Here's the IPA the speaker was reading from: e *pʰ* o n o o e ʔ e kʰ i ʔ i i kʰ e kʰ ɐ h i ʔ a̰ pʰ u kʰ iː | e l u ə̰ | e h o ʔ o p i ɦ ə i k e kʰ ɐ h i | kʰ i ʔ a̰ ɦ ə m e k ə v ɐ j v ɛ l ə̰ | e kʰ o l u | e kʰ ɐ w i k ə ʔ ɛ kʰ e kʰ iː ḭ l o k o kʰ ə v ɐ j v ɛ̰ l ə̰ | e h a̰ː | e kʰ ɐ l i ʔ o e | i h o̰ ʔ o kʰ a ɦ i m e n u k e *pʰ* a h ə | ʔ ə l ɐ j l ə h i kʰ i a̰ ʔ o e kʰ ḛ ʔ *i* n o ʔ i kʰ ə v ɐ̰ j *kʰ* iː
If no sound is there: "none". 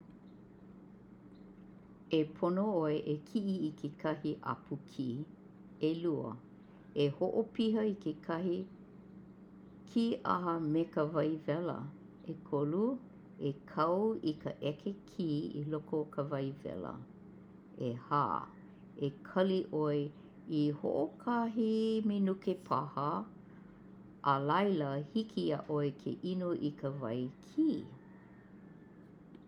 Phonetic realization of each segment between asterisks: pʰ, pʰ, i, kʰ

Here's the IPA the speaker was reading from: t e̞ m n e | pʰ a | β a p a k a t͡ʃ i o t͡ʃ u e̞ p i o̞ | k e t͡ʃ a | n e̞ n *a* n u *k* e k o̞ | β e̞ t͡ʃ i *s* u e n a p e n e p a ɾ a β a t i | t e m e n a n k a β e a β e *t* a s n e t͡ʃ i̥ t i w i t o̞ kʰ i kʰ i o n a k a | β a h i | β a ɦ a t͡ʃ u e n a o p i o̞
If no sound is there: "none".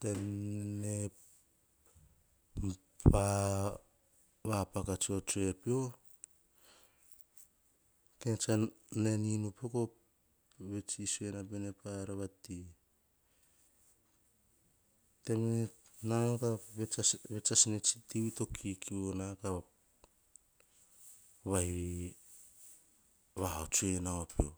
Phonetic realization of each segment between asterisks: i, p, s, t͡ʃ

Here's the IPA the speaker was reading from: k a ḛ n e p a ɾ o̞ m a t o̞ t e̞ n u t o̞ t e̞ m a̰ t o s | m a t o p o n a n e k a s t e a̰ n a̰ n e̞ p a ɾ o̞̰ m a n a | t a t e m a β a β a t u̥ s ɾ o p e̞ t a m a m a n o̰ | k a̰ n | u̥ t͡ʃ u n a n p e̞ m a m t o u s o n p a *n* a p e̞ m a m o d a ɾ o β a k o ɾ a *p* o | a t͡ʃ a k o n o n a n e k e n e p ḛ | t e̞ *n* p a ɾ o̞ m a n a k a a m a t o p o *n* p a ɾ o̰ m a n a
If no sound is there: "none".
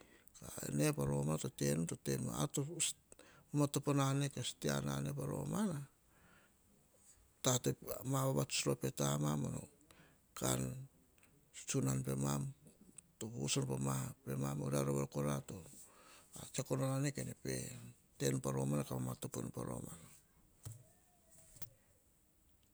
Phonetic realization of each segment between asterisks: m, t, n, n

